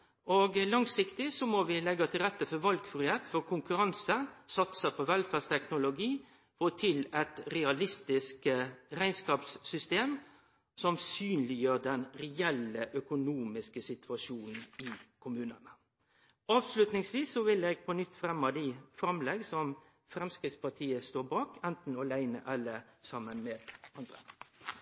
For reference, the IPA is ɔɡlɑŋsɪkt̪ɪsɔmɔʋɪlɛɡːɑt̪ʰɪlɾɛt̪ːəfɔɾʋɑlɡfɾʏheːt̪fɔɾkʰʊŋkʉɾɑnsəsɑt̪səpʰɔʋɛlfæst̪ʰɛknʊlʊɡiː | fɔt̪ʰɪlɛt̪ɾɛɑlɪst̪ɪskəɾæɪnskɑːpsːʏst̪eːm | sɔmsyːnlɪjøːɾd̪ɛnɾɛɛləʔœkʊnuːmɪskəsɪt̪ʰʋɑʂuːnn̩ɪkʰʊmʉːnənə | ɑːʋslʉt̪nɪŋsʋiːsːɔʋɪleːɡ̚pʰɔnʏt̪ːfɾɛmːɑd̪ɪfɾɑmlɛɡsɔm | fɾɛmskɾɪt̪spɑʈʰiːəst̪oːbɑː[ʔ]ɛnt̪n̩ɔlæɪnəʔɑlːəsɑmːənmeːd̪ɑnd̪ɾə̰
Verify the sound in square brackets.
incorrect: k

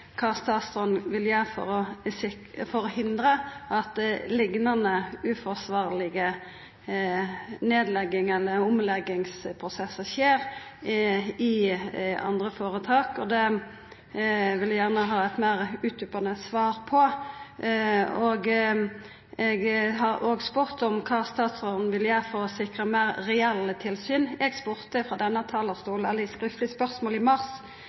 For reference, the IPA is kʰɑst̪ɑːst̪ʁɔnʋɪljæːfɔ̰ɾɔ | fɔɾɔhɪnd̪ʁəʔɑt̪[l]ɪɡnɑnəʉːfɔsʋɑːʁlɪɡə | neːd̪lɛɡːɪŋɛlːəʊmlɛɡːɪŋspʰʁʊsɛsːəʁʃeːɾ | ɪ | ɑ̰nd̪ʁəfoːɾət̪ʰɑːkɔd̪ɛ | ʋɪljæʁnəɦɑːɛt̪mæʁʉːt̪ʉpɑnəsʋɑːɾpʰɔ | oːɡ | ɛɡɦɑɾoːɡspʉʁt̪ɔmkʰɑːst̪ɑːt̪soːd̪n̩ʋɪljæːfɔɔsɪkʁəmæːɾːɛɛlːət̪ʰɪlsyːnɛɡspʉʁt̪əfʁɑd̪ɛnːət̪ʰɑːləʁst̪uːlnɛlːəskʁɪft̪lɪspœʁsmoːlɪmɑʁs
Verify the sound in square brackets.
correct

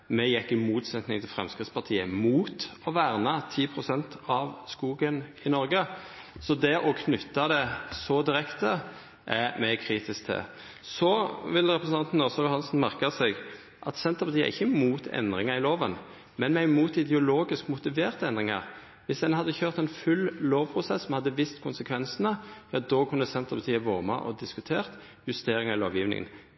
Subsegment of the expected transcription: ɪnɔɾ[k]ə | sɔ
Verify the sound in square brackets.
incorrect: ɡ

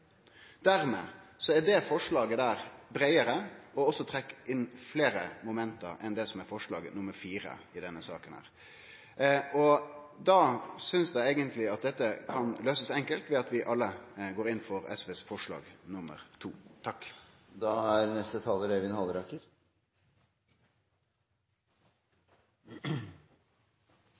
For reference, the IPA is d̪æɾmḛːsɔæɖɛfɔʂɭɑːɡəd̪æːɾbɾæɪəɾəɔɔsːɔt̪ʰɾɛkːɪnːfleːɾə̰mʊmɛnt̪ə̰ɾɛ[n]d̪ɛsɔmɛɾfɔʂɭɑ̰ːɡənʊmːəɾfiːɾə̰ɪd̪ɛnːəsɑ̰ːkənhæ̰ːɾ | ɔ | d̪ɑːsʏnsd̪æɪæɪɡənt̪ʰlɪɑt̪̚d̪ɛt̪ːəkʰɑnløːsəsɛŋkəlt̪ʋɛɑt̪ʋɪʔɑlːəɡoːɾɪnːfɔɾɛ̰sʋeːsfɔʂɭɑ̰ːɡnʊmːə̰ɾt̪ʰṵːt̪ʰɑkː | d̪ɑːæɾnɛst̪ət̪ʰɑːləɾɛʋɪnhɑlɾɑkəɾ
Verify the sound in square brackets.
correct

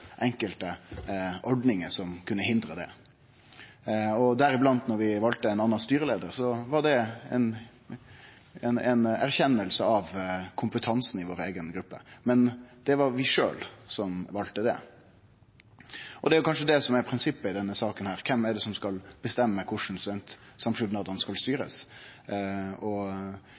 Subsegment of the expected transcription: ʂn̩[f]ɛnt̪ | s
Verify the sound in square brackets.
incorrect: s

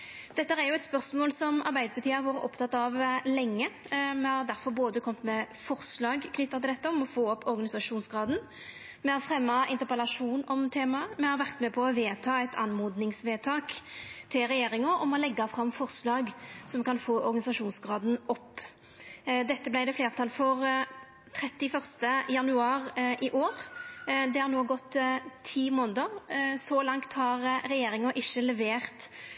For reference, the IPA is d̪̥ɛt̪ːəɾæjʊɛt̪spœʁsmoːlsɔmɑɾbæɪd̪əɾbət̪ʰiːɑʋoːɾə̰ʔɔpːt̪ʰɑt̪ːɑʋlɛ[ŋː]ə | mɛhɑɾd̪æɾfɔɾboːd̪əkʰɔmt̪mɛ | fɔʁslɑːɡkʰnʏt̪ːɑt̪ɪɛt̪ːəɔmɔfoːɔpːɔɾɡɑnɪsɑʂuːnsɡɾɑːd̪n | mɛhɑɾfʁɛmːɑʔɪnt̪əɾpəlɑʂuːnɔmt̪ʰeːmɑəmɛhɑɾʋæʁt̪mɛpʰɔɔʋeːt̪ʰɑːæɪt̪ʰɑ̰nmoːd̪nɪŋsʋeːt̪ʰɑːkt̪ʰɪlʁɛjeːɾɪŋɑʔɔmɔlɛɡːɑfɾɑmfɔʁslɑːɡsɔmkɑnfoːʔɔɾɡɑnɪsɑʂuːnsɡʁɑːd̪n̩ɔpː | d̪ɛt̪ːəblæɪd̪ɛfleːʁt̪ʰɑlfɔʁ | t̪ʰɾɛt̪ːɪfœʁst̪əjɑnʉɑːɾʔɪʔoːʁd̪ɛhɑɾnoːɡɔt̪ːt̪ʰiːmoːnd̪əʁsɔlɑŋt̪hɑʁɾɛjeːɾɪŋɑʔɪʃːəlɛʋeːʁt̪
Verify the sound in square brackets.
correct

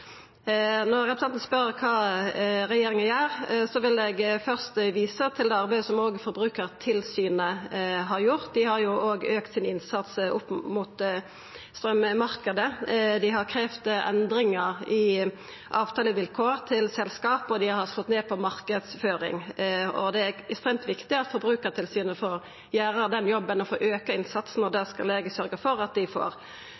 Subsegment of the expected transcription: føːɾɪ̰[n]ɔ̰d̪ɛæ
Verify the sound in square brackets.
incorrect: ŋ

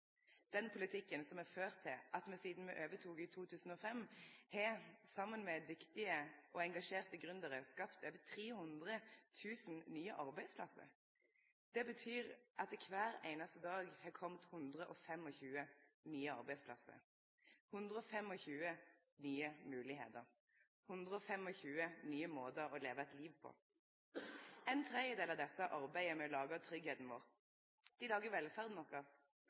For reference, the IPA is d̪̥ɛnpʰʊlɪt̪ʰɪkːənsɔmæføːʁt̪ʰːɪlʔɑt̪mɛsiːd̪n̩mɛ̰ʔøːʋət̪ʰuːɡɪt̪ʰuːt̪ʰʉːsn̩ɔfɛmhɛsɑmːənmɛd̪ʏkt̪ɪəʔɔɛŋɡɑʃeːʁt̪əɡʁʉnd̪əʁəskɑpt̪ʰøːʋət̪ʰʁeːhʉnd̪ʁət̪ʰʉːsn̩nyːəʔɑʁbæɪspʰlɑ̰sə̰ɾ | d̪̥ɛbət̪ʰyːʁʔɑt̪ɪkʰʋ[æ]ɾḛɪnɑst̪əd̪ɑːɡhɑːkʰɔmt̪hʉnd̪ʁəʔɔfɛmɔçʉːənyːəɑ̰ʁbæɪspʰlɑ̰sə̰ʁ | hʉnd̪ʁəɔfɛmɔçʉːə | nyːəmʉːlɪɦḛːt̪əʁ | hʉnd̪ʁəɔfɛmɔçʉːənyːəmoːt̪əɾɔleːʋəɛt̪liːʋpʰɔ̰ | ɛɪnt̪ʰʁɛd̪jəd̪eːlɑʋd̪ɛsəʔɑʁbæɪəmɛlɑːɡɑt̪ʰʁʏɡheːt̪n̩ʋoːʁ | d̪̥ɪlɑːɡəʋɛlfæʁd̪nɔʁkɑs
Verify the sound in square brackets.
incorrect: æː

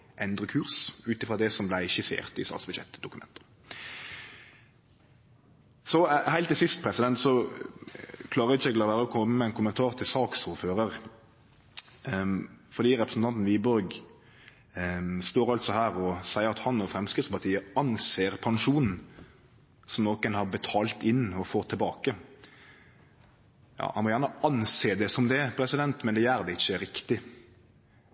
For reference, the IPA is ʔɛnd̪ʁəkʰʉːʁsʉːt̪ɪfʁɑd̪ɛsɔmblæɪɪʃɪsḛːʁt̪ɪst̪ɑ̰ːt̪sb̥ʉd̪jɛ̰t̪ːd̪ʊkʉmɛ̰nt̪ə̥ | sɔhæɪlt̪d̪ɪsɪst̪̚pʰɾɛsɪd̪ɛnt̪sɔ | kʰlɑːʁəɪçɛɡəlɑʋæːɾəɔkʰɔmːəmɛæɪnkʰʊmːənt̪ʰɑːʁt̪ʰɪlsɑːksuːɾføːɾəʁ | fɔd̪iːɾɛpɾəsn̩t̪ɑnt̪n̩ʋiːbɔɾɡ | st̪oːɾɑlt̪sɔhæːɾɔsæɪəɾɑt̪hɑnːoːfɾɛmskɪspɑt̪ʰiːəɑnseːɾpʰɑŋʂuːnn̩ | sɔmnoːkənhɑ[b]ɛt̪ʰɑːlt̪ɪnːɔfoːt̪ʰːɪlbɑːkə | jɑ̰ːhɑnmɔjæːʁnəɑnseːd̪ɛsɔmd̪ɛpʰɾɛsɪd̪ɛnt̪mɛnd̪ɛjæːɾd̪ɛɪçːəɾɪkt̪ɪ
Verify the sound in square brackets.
correct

